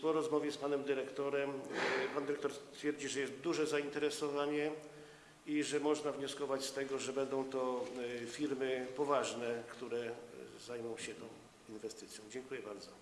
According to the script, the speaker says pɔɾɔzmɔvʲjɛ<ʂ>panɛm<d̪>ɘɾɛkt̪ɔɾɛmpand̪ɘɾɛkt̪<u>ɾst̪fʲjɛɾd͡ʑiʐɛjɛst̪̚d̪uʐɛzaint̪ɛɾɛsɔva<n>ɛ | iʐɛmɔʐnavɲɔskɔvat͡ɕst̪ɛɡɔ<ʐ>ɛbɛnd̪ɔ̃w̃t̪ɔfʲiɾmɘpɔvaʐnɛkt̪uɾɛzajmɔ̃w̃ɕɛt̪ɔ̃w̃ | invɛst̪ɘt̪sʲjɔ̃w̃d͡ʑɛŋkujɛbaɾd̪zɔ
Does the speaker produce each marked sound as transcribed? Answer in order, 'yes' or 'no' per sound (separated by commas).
no, yes, no, no, yes